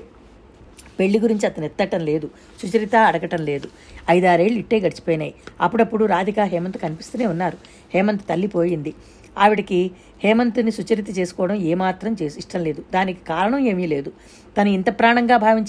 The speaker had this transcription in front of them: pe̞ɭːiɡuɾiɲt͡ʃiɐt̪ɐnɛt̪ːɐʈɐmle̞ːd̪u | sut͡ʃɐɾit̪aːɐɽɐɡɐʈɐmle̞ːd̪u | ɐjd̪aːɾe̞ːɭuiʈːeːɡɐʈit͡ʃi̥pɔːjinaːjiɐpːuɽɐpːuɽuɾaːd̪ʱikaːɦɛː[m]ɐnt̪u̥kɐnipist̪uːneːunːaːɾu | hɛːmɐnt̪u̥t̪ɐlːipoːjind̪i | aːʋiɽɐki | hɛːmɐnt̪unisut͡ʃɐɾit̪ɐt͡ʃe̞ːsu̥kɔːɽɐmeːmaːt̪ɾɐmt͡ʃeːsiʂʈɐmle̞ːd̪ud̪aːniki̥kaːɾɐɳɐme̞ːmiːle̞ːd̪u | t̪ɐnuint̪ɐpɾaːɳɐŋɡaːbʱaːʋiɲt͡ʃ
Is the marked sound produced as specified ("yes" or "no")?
yes